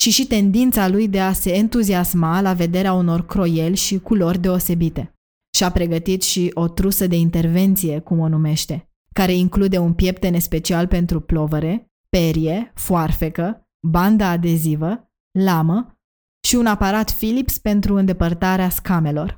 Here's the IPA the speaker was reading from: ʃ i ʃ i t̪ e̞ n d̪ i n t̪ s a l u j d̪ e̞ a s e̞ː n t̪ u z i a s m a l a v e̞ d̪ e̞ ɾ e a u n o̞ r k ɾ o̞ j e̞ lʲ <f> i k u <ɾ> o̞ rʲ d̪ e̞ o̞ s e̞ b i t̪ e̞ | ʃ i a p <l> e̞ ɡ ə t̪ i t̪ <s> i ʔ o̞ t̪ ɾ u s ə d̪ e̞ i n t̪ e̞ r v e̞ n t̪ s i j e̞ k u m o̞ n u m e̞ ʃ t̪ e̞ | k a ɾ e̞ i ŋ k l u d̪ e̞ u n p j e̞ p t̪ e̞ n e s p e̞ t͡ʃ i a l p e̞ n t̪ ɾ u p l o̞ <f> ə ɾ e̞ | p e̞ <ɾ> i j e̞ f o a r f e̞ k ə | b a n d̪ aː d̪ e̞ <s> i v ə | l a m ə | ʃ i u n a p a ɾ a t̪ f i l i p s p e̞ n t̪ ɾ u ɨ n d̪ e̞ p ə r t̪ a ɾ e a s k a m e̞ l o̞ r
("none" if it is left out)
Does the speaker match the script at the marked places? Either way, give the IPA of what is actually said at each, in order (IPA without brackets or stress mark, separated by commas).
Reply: ʃ, l, ɾ, ʃ, v, ɾ, z